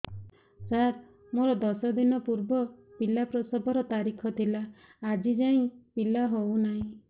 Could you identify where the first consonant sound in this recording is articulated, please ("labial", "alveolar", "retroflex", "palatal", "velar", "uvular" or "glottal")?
alveolar